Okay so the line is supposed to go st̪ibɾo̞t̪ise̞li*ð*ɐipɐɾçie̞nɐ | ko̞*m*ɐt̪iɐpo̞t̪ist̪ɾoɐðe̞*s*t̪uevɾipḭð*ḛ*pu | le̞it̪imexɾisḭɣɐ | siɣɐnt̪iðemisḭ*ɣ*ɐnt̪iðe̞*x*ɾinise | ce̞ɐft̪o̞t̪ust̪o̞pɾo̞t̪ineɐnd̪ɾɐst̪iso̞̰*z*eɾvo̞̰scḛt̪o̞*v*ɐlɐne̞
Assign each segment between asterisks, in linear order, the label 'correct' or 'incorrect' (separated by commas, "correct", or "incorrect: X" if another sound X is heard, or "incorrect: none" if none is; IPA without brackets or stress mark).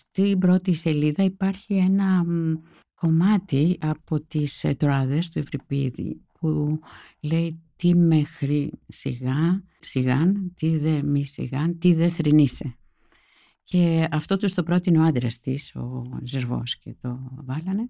correct, correct, correct, incorrect: ḭ, correct, incorrect: θ, correct, correct